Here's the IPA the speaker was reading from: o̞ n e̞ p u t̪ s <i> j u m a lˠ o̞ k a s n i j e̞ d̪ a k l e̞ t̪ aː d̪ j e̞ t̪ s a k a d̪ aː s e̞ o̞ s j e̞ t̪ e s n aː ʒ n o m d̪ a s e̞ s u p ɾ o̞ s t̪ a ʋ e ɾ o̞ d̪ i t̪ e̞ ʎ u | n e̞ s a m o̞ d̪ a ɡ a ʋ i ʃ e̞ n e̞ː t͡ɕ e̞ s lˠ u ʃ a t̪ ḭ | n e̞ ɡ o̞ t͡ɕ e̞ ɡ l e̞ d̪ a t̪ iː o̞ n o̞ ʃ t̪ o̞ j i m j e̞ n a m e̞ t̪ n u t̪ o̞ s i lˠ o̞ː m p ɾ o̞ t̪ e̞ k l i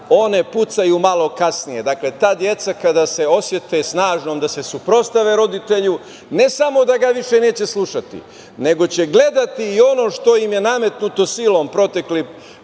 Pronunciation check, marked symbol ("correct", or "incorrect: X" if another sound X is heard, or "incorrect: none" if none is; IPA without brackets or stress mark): incorrect: a